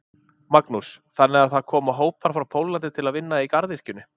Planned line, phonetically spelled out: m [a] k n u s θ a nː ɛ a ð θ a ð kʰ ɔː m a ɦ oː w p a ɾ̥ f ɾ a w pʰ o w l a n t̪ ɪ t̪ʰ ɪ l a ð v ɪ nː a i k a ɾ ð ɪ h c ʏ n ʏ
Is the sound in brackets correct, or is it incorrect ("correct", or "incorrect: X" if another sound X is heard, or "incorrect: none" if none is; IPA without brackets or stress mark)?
correct